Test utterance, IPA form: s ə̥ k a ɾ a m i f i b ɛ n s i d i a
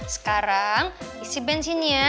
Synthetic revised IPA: s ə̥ k a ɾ a ŋ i s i b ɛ n s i n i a